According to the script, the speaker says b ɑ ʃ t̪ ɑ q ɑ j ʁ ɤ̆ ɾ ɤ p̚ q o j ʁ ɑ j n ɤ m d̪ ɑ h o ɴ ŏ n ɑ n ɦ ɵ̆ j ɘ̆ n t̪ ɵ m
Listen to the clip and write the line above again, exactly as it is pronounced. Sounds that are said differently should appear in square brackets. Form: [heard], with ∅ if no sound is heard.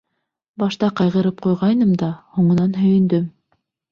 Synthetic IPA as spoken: b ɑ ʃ t̪ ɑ q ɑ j ʁ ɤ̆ ɾ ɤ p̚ q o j ʁ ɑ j n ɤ m d̪ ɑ h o ɴ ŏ n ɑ n ɦ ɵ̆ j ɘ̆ n [d̪] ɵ m

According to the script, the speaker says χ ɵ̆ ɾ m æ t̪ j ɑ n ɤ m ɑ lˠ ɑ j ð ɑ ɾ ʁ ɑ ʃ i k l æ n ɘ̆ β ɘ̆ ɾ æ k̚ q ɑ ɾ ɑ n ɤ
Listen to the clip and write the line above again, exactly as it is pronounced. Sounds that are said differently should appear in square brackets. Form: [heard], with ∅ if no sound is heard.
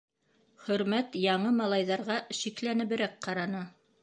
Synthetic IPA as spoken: χ ɵ̆ ɾ m æ t̪ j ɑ [ɴ] ɤ m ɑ lˠ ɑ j ð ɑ ɾ ʁ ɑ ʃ i k l æ n ɘ̆ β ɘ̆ ɾ æ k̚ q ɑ ɾ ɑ n ɤ

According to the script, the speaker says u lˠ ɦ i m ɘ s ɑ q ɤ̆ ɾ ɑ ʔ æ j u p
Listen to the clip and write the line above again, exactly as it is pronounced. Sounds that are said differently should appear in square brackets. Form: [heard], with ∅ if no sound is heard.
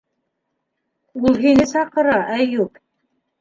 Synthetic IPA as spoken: u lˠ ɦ i [n] ɘ s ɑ q ɤ̆ ɾ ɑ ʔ æ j u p

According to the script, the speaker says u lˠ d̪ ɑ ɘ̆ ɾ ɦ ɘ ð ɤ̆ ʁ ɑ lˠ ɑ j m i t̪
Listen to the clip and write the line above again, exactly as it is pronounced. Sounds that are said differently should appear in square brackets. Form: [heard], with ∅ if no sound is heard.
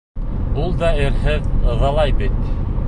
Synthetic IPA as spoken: u lˠ d̪ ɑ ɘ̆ ɾ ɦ ɘ ð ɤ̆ [ð] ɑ lˠ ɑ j [b] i t̪

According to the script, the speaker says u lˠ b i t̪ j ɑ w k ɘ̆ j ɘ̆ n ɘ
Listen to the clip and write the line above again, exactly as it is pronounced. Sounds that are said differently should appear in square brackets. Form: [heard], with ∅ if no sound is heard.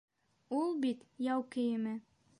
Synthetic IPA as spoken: u lˠ b i t̪ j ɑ w k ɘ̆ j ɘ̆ [m] ɘ

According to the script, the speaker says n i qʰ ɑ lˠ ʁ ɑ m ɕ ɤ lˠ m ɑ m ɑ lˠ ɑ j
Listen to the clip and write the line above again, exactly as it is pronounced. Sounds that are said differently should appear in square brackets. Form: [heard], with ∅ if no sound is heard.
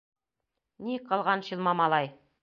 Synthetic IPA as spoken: n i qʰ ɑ lˠ ʁ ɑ [n] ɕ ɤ lˠ m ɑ m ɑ lˠ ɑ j

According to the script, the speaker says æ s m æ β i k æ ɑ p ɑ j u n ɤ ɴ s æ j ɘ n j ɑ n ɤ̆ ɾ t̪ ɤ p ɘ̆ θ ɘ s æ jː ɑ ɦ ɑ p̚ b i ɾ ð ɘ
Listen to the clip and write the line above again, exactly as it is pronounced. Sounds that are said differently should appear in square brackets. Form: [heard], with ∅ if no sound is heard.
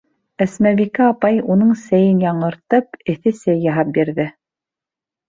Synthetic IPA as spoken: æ s m æ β i k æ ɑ p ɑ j u n ɤ ɴ s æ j ɘ n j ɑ [ɴ] ɤ̆ ɾ t̪ ɤ p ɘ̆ θ ɘ s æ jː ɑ ɦ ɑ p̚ b i ɾ ð ɘ

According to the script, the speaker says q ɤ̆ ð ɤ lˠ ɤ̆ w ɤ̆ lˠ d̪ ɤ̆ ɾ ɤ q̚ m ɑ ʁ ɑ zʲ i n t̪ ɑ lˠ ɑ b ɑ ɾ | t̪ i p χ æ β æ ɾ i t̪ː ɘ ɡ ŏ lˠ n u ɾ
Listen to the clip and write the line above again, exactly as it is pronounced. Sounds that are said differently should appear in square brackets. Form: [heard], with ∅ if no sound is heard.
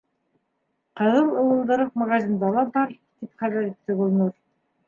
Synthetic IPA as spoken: q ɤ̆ ð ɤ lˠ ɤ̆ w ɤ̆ lˠ d̪ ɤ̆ ɾ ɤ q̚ m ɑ ʁ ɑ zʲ i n [d̪] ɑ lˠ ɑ b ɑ ɾ | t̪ i p χ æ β æ ɾ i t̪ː ɘ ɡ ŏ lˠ n u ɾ

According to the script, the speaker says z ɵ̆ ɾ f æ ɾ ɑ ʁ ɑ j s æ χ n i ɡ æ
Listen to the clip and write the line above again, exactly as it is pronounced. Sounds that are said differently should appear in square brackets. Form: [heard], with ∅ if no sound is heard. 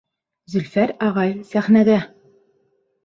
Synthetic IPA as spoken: z ɵ̆ [l] f æ ɾ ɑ ʁ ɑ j s æ χ n [æ] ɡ æ

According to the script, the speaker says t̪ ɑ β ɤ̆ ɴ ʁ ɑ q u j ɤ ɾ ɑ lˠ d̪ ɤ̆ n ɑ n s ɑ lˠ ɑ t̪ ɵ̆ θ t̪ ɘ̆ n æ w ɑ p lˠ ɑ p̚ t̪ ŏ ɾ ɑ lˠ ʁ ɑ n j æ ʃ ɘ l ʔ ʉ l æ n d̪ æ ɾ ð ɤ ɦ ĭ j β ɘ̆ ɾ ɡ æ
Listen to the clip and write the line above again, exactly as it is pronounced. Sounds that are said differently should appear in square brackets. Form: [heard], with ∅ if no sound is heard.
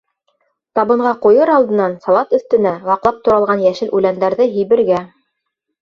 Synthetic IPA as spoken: t̪ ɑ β ɤ̆ ɴ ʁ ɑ q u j ɤ ɾ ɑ lˠ d̪ ɤ̆ n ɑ n s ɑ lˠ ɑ t̪ ɵ̆ θ t̪ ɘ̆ n æ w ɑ [q] lˠ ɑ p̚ t̪ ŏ ɾ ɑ lˠ ʁ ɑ n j æ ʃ ɘ l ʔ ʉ l æ n d̪ æ ɾ ð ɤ ɦ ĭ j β ɘ̆ ɾ ɡ æ

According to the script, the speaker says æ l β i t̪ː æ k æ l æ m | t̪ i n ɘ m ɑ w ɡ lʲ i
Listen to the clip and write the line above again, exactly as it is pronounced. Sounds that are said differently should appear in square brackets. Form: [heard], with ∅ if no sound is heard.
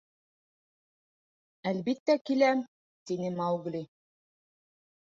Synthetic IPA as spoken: æ l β i t̪ː æ k [i] l æ m | t̪ i n ɘ m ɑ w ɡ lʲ i

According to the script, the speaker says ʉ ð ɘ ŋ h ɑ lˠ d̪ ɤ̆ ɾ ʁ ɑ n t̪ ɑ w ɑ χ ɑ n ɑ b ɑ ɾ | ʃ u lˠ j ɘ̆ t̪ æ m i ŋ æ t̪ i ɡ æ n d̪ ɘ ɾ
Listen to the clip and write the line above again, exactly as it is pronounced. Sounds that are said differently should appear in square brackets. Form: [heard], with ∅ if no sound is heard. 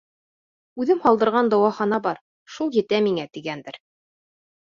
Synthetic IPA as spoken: ʉ ð ɘ [m] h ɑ lˠ d̪ ɤ̆ ɾ ʁ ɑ n [d̪] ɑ w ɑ χ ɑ n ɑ b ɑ ɾ | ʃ u lˠ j ɘ̆ t̪ æ m i ŋ æ t̪ i ɡ æ n d̪ ɘ ɾ

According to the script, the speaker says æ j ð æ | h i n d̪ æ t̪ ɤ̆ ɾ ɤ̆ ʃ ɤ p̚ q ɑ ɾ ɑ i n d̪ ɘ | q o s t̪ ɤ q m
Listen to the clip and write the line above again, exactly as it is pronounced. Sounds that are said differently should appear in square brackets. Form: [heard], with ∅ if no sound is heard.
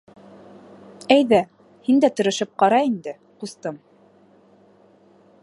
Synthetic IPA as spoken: æ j ð æ | h i n d̪ æ t̪ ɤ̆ ɾ ɤ̆ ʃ ɤ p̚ q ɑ ɾ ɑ i n d̪ ɘ | q [u] s t̪ ɤ [∅] m

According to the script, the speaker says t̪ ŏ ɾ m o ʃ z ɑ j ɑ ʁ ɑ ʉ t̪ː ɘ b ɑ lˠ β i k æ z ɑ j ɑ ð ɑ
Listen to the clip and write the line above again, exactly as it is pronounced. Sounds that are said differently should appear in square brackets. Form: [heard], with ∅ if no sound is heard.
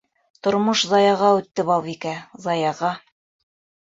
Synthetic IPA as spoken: t̪ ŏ ɾ m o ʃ z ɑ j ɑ ʁ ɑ ʉ t̪ː ɘ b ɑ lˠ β i k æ z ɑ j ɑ [ʁ] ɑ

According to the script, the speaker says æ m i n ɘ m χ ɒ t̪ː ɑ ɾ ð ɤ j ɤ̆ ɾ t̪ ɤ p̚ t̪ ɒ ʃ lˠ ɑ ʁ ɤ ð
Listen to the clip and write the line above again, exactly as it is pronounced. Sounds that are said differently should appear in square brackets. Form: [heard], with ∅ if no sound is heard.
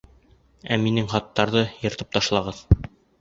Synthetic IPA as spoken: æ m i n ɘ [ŋ] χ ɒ t̪ː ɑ ɾ ð ɤ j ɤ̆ ɾ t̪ ɤ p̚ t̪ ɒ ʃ lˠ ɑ ʁ ɤ ð

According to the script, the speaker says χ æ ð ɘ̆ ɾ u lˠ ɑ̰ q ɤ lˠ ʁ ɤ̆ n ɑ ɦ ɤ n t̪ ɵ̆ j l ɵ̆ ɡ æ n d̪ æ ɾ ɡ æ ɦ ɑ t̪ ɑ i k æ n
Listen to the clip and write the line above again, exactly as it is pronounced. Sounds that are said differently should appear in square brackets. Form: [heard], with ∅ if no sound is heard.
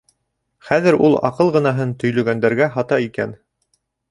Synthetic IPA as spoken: χ æ ð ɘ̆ ɾ u lˠ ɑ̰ q ɤ lˠ ʁ ɤ̆ n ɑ ɦ ɤ n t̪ ɵ̆ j l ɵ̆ ɡ æ n d̪ æ ɾ ɡ æ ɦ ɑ t̪ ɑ i k æ n

